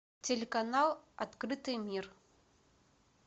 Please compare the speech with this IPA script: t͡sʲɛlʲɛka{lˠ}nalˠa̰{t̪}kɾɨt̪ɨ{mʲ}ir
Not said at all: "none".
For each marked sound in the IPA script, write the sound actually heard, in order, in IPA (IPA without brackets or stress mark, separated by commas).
none, t̪, mʲ